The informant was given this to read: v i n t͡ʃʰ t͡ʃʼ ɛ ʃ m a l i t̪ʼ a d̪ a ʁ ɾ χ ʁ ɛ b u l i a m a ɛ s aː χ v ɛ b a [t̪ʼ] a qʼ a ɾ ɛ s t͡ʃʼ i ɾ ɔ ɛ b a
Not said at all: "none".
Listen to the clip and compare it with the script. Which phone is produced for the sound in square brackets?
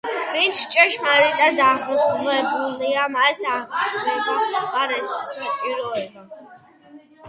none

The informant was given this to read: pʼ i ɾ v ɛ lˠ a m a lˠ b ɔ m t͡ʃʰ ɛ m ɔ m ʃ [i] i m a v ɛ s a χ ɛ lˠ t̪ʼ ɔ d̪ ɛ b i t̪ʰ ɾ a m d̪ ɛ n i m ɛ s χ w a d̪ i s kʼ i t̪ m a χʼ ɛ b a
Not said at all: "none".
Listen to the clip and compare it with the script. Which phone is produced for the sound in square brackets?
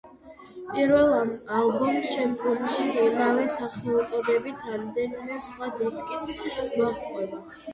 i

